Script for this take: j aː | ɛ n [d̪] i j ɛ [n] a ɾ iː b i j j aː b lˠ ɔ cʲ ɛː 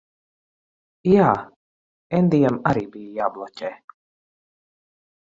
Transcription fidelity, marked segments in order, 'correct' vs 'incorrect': correct, incorrect

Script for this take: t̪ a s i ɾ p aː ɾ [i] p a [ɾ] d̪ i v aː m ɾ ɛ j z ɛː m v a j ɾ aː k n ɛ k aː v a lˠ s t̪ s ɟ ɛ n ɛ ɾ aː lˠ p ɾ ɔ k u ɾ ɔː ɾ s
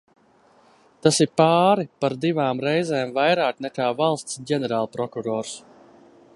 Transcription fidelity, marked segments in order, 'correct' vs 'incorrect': correct, correct

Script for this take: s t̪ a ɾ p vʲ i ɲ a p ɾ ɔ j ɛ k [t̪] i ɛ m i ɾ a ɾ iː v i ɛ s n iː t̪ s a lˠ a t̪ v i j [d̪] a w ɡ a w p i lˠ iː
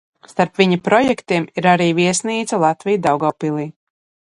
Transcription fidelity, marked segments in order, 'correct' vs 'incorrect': correct, correct

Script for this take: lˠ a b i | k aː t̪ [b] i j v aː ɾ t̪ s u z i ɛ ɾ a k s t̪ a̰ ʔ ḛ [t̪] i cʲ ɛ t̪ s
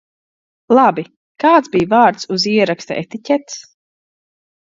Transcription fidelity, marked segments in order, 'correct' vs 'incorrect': correct, correct

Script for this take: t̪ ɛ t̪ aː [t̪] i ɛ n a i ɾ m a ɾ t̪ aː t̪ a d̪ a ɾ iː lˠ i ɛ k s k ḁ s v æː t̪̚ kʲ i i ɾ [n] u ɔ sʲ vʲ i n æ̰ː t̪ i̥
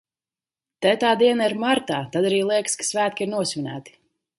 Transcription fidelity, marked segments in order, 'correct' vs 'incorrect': incorrect, correct

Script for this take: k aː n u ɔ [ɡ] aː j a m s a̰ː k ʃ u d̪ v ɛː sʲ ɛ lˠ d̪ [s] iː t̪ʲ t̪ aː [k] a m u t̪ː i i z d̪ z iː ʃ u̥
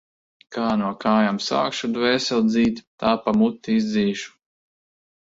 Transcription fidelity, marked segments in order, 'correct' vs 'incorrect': incorrect, incorrect, incorrect

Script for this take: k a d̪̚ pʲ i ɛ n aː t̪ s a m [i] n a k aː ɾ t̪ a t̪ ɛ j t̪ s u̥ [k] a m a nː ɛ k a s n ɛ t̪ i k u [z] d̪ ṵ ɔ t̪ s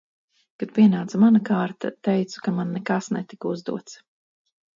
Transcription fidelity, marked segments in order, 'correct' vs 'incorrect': incorrect, correct, correct

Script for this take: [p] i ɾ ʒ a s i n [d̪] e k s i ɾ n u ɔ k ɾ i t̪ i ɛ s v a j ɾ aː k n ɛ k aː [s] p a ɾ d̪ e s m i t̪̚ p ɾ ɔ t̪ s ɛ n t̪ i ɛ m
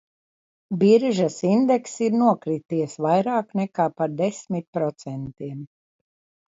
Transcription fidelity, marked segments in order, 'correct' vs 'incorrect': incorrect, correct, incorrect

